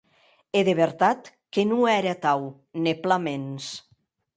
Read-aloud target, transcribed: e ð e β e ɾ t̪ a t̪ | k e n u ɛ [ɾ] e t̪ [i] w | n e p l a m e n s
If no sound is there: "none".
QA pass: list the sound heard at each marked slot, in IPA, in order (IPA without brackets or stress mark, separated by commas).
ɾ, a